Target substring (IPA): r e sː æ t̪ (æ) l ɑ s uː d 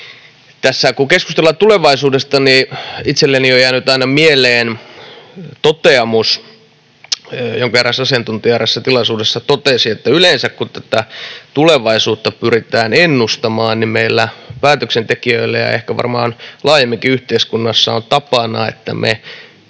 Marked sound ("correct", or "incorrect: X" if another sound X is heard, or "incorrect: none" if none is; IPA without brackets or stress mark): incorrect: i